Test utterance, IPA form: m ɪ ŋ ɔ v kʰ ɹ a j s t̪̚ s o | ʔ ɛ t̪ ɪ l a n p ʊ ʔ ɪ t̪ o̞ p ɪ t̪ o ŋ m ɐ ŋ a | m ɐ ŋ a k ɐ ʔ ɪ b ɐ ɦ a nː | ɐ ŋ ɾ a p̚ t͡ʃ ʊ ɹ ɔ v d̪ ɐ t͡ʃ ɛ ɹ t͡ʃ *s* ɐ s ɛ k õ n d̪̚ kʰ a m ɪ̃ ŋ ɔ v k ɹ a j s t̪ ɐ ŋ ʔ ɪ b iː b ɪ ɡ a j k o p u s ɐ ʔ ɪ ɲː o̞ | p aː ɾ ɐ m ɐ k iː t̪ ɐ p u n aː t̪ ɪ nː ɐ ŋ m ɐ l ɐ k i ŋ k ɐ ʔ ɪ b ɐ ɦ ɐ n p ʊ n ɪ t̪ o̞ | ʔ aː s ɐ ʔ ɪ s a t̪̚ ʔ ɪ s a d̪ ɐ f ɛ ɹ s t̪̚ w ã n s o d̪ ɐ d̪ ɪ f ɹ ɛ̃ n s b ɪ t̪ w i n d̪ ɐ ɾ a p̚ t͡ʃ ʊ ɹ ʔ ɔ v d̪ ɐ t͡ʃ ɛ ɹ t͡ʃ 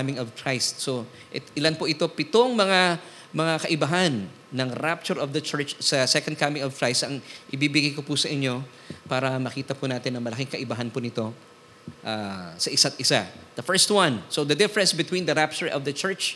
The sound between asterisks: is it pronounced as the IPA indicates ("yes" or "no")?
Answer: yes